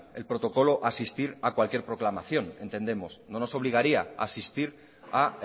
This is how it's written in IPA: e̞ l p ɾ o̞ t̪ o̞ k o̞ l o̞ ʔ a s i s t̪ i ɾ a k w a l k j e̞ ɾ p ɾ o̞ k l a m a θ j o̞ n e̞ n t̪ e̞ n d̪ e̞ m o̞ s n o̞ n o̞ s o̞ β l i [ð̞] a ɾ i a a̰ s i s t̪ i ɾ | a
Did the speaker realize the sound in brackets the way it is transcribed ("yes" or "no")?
no